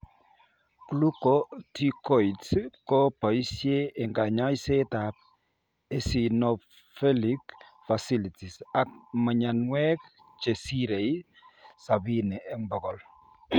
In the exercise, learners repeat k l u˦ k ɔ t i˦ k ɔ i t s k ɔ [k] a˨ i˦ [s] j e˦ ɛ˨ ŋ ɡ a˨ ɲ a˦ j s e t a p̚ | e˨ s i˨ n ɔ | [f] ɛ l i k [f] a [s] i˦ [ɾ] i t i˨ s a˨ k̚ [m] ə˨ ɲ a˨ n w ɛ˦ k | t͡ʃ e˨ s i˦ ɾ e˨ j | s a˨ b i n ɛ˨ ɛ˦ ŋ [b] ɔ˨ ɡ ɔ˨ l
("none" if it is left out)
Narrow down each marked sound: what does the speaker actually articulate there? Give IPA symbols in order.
p, s, f, f, s, l, m, b

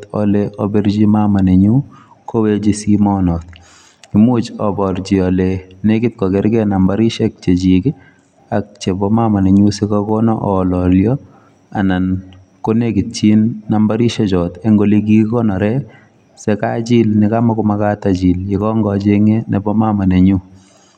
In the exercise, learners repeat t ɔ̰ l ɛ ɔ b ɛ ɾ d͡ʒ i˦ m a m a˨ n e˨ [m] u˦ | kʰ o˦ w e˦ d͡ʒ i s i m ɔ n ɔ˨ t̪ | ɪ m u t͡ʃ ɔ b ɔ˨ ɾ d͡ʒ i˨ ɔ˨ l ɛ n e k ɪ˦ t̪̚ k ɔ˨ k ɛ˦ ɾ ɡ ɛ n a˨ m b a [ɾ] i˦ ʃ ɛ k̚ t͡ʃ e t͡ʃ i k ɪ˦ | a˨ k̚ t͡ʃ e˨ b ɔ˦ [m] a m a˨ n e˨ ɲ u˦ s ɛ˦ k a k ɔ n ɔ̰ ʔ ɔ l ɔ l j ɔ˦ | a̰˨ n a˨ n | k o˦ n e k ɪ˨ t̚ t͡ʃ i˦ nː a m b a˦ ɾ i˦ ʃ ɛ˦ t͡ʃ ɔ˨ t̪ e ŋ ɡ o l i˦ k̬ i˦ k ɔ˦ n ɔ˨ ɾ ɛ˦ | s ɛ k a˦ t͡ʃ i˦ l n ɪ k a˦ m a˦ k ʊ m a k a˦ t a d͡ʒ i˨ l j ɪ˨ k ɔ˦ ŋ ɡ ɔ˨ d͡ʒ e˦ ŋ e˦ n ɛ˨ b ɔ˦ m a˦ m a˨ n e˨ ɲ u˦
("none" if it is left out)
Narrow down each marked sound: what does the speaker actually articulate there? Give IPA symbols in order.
ɲ, ɾ, m

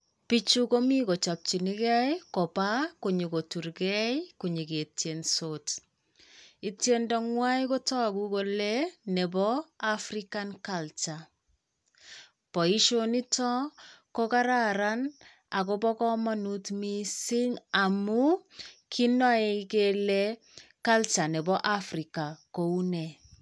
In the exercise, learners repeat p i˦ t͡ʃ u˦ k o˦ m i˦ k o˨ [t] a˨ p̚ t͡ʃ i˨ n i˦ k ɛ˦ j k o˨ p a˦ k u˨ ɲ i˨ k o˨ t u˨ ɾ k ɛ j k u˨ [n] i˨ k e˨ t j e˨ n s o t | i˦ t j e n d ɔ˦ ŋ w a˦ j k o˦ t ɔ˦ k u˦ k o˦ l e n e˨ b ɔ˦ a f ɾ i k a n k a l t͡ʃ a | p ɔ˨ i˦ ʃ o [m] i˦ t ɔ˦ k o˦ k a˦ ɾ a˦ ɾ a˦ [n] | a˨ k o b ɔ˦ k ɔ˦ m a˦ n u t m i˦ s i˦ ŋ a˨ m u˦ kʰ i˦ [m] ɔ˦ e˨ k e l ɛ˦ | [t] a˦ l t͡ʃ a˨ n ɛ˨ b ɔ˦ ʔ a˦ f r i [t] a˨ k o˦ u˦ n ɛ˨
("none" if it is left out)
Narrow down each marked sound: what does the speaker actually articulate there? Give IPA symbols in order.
t͡ʃ, ɲ, n, n, n, k, k

